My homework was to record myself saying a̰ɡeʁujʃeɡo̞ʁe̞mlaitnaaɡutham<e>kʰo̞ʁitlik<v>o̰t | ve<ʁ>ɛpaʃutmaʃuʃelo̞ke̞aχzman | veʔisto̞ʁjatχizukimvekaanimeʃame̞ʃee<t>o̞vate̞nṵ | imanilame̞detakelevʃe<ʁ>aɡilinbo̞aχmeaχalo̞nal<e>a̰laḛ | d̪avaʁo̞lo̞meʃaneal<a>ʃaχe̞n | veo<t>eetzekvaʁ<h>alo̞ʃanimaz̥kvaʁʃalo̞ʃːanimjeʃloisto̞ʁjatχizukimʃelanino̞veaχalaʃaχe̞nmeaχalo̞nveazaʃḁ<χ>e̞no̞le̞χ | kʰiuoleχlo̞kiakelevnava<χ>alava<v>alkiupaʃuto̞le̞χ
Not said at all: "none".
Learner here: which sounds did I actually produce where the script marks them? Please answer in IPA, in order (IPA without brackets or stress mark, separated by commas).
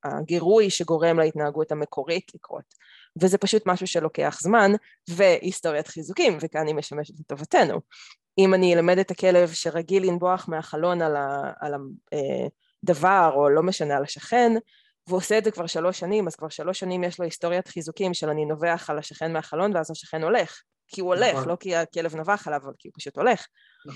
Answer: e, ʁ, z, t, ʁ, a, a, s, ʃ, χ, χ, v